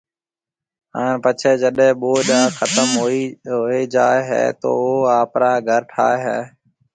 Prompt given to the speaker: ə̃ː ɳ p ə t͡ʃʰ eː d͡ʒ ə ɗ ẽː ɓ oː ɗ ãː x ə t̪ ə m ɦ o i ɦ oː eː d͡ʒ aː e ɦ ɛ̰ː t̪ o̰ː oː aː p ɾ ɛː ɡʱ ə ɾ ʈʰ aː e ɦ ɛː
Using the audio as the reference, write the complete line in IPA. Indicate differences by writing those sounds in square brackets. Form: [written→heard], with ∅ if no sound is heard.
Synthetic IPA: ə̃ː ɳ p ə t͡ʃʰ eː d͡ʒ ə ɗ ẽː ɓ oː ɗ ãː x ə t̪ ə m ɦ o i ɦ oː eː d͡ʒ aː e ɦ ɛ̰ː t̪ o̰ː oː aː p ɾ [ɛː→aː] ɡʱ ə ɾ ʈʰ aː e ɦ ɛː

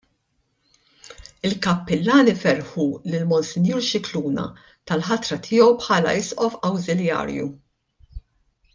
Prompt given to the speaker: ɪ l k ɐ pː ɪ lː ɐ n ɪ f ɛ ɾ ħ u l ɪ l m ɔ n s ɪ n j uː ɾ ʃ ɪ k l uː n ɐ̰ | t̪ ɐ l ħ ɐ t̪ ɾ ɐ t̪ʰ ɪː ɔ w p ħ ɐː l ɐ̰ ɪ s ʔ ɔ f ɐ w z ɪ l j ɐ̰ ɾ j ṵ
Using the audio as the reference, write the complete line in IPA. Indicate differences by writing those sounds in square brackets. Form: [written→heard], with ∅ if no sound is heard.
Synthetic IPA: ɪ l k ɐ pː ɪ lː [ɐ→ɐː] n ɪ f ɛ ɾ ħ u l ɪ l m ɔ n s ɪ n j uː ɾ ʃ ɪ k l uː n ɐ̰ | t̪ ɐ l ħ ɐ t̪ ɾ ɐ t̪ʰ ɪː ɔ w p ħ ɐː l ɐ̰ ɪ s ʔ ɔ f ɐ w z ɪ l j [ɐ̰→ɐ̰ː] ɾ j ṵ

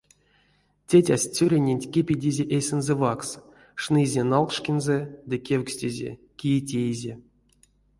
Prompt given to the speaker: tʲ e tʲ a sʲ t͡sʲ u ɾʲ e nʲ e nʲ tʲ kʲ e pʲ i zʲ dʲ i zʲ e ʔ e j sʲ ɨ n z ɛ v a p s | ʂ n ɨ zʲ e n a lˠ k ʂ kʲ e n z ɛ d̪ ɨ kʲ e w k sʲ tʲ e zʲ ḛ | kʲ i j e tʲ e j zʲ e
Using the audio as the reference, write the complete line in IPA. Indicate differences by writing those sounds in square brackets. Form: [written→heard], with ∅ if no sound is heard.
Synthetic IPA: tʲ e tʲ a sʲ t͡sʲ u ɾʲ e nʲ e nʲ tʲ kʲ e pʲ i [zʲ→∅] dʲ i zʲ e ʔ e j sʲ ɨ n z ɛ v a [p→k] s | ʂ n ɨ zʲ e n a lˠ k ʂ kʲ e n z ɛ d̪ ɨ kʲ e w k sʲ tʲ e zʲ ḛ | kʲ i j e tʲ e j zʲ e

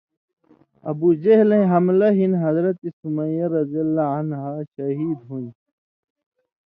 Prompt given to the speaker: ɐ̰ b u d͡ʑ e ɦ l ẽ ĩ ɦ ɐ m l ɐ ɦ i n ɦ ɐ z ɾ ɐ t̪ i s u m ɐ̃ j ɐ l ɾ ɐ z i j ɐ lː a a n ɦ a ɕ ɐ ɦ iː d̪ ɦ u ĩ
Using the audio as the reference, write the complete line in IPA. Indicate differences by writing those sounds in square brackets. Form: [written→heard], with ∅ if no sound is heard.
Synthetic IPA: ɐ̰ b u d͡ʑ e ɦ l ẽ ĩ ɦ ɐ m l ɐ ɦ i n ɦ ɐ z ɾ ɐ t̪ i s u m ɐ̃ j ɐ [l→∅] ɾ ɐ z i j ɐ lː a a n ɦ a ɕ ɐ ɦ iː d̪ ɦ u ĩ

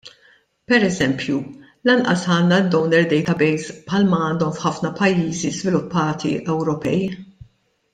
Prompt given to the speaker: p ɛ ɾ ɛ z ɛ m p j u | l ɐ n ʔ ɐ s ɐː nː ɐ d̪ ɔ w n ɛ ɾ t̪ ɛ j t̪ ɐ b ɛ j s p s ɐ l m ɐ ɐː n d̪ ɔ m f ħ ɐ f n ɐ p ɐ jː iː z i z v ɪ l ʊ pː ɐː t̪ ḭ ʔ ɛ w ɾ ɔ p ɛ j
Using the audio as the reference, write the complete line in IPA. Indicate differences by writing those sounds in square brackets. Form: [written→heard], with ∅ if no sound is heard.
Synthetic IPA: p ɛ ɾ ɛ z ɛ m p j u | l ɐ n ʔ ɐ s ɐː nː ɐ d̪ ɔ w n ɛ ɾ [t̪→d̪] ɛ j t̪ ɐ b ɛ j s p [s→ħ] ɐ l m ɐ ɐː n d̪ ɔ m f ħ ɐ f n ɐ p ɐ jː iː z i z v ɪ l ʊ pː ɐː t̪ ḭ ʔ ɛ w ɾ ɔ p ɛ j

